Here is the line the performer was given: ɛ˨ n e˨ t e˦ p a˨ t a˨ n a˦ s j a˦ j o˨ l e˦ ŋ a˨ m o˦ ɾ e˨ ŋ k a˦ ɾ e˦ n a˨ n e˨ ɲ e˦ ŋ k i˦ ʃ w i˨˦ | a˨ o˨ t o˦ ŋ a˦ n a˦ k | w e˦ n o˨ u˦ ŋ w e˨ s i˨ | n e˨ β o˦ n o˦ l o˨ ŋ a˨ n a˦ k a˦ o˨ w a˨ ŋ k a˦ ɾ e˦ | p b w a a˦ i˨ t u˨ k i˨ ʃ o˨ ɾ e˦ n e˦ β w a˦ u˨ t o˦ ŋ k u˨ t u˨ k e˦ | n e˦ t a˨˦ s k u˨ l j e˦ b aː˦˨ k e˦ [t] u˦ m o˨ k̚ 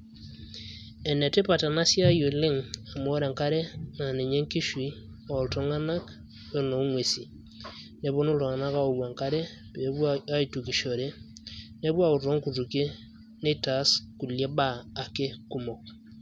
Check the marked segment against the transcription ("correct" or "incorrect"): incorrect